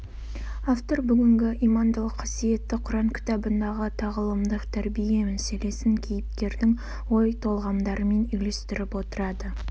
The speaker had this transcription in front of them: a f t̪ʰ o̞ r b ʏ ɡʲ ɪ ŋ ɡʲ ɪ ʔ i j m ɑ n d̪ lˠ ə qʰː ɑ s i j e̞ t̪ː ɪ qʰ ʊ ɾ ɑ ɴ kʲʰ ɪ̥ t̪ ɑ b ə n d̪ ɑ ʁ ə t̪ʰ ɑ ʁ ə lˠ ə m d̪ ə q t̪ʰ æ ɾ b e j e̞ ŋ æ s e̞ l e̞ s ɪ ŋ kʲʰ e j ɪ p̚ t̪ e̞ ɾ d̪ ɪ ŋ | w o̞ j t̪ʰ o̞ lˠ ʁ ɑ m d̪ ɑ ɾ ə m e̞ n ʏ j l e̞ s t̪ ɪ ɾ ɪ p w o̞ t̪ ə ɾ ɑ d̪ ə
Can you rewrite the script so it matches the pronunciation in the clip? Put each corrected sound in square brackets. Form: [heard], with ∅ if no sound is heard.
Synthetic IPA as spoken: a f [t̪] o̞ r b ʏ ɡʲ ɪ ŋ ɡʲ ɪ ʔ i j m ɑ n d̪ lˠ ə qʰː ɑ s i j e̞ t̪ː ɪ qʰ ʊ ɾ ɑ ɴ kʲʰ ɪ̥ t̪ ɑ b ə n d̪ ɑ ʁ ə t̪ʰ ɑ ʁ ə lˠ ə m d̪ ə q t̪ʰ æ ɾ b [i] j e̞ [m] æ s e̞ l e̞ s ɪ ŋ kʲʰ e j ɪ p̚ t̪ e̞ ɾ d̪ ɪ ŋ | w o̞ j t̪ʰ o̞ lˠ ʁ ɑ m d̪ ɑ ɾ ə m e̞ n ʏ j l e̞ s t̪ ɪ ɾ ɪ p w o̞ t̪ ə ɾ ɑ d̪ ə